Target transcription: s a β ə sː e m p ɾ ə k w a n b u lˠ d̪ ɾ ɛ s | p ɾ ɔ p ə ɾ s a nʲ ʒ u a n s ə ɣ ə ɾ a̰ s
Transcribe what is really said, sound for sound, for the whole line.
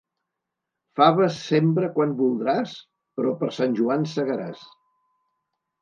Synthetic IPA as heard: f a β ə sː e m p ɾ ə k w a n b u lˠ d̪ ɾ a s | p ɾ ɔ p ə ɾ s a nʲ ʒ u a n s ə ɣ ə ɾ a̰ s